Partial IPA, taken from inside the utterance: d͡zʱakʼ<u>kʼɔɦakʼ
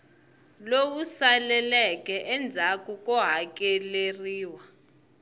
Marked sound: correct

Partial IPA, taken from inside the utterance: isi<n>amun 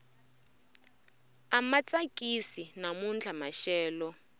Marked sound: correct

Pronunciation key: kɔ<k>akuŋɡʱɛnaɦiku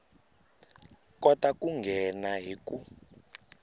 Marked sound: incorrect: t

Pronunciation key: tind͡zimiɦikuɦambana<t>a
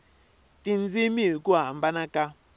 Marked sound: incorrect: k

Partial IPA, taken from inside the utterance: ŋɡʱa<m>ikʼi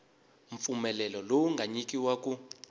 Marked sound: incorrect: ɲ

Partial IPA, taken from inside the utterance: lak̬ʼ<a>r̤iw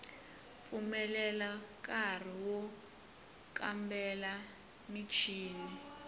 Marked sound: correct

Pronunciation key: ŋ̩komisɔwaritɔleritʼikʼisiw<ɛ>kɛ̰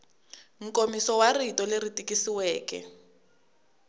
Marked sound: incorrect: ɛː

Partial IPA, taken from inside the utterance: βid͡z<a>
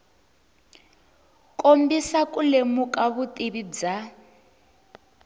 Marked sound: correct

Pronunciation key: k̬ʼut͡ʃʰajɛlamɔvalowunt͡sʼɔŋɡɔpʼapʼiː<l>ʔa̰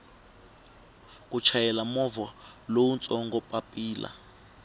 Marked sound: correct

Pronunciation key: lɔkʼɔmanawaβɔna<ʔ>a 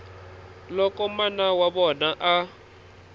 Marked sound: correct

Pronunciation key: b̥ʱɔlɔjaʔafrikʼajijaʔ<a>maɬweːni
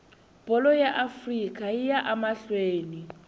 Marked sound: correct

